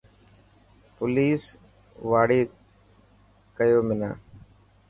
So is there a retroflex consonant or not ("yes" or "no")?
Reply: yes